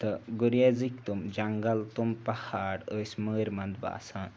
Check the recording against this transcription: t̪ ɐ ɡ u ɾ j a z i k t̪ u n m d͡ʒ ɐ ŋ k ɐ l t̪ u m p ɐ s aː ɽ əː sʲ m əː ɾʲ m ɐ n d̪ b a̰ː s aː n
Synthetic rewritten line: t̪ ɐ ɡ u ɾ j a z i k t̪ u m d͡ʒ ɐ ŋ ɡ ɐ l t̪ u m p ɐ h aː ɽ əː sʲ m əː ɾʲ m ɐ n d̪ b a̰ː s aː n